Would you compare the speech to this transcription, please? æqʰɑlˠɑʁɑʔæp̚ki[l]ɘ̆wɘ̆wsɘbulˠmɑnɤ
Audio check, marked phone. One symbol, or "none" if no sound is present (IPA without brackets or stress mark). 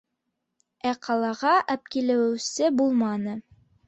l